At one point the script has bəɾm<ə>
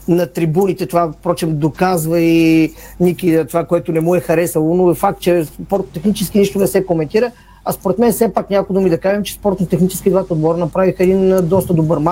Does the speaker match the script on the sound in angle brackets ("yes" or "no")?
no